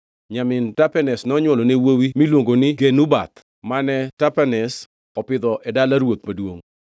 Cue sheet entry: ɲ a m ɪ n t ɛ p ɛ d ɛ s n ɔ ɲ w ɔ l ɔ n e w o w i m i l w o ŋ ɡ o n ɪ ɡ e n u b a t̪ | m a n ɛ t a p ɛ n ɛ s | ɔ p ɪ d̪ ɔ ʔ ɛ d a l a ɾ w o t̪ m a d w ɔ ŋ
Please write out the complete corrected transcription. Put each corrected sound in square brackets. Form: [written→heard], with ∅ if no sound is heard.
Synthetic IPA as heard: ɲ a m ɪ n t [ɛ→a] p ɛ [d→n] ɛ s n ɔ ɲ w ɔ l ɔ n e w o w i m i l w o ŋ ɡ o n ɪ ɡ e n u b a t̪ | m a n ɛ t a p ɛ n ɛ s | ɔ p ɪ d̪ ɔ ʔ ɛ d a l a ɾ w o t̪ m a d w [ɔ→o] ŋ